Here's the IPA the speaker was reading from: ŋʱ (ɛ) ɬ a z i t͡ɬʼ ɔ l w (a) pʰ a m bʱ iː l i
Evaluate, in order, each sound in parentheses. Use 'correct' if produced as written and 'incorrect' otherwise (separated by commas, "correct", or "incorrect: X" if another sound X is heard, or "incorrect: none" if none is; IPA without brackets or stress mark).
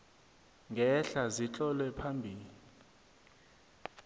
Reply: correct, incorrect: ɛ